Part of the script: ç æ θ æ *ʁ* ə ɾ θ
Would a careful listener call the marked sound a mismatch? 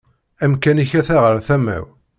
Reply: no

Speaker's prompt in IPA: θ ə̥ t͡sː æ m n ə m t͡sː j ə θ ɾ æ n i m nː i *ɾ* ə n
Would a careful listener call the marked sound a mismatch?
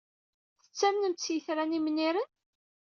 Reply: no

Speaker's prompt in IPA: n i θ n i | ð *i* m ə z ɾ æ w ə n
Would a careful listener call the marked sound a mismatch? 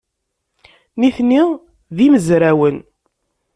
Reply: no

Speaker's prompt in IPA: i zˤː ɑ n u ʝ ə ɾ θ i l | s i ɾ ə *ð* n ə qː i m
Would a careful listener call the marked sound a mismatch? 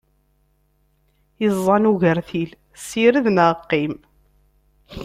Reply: no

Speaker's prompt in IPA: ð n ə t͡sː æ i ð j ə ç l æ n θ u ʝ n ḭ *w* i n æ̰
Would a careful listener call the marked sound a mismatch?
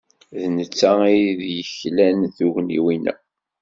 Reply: no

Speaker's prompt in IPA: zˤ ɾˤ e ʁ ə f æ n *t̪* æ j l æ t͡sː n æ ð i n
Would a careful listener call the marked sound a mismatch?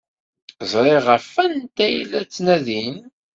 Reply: no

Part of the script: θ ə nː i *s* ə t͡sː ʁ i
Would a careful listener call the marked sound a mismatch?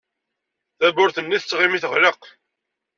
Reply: yes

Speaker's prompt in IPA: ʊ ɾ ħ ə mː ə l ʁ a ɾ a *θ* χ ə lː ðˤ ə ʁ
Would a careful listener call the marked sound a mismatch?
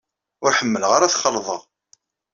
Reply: no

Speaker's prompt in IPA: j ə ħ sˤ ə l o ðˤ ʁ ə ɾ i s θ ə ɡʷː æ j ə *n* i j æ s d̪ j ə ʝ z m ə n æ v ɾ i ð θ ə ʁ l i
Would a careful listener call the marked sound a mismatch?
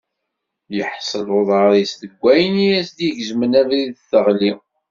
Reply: no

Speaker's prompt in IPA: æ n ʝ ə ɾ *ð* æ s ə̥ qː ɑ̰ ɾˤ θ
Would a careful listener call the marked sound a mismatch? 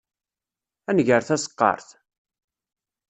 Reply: yes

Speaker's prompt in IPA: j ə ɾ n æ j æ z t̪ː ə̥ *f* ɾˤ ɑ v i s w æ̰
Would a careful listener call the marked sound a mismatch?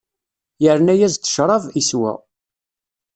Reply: yes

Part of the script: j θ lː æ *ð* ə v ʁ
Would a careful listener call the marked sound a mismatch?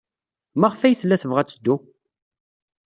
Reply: yes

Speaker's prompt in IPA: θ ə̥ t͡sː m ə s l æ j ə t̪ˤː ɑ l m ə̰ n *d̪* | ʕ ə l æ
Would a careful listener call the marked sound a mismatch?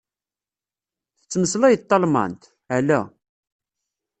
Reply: yes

